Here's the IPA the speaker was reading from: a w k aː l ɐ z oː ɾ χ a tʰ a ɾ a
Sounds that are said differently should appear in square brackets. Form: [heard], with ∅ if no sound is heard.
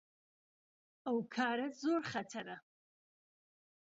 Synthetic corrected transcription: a w [kʰ] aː [ɾ] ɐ z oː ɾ χ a tʰ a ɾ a

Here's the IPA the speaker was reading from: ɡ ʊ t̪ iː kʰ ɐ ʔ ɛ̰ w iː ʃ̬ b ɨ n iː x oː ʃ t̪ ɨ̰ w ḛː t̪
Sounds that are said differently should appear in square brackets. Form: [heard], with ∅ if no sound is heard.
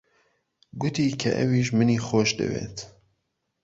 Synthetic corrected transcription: ɡ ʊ t̪ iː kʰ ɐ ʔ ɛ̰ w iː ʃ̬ [m] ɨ n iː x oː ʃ [d̪] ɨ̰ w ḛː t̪

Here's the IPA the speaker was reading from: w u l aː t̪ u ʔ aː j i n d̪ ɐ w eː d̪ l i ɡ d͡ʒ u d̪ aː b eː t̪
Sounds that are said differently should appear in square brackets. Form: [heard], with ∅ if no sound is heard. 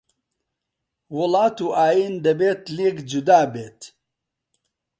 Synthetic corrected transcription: w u l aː t̪ u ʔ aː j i n d̪ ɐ [b] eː [t̪] l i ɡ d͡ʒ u d̪ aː b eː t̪

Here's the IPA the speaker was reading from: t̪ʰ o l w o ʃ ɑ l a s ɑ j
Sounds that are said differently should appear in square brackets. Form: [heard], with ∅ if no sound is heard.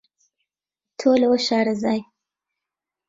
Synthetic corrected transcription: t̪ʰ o l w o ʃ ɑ [ɾ] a [z] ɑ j

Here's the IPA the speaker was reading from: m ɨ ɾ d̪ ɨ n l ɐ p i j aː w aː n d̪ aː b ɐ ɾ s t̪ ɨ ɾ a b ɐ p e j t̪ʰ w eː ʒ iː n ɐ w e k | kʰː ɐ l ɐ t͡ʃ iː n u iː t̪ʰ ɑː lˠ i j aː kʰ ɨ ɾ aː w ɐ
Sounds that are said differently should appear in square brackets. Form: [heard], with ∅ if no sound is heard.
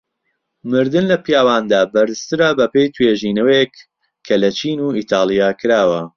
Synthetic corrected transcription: m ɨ ɾ d̪ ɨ n l ɐ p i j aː w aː n d̪ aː b ɐ ɾ s t̪ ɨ ɾ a b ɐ p e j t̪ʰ w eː ʒ iː n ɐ w e k | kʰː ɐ l ɐ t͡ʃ iː n u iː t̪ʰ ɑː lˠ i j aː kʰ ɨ ɾ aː w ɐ

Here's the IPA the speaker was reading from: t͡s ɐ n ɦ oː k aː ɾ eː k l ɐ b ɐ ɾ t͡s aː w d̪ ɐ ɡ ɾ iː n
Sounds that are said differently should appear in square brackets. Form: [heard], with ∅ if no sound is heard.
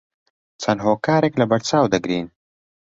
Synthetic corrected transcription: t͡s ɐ n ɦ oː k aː ɾ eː k l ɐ b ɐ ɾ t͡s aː w d̪ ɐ ɡ ɾ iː n

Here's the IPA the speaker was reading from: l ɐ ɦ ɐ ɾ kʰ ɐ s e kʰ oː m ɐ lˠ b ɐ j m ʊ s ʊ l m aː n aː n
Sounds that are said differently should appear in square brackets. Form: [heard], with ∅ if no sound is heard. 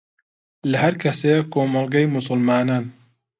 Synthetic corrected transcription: l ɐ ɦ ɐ ɾ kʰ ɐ s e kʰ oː m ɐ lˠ [ɡ] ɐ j m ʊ s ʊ l m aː n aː n

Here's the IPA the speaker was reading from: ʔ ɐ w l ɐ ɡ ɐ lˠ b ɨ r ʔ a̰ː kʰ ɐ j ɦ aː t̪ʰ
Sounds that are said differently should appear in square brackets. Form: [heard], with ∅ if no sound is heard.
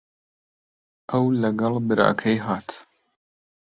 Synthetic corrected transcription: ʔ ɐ w l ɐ ɡ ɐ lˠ b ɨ [ɾ] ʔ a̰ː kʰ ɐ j ɦ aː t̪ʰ

